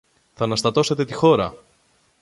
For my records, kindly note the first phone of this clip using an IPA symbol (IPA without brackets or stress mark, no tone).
θ